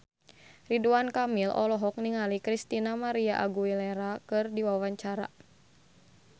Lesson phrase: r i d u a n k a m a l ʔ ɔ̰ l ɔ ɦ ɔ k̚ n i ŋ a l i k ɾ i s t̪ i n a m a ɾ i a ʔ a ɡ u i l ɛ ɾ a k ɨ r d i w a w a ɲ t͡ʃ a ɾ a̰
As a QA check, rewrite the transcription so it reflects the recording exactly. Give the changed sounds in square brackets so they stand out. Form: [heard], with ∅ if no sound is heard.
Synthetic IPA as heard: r i d u a n k a m [i] l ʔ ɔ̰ l ɔ ɦ ɔ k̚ n i ŋ a l i k ɾ i s t̪ i n a m a ɾ i a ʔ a ɡ u i l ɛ ɾ a k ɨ r d i w a w a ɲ t͡ʃ a ɾ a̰